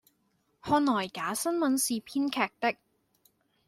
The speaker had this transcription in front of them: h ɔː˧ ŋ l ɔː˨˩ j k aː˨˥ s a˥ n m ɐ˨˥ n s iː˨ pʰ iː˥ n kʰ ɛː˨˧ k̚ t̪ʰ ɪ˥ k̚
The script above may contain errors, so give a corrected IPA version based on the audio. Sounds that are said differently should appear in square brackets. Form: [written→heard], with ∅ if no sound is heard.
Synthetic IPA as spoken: h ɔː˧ [ŋ→n] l ɔː˨˩ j k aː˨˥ s [a˥→ɐ˥] n m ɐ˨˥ n s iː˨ pʰ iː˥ n kʰ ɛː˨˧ k̚ [t̪ʰ→t̪] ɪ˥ k̚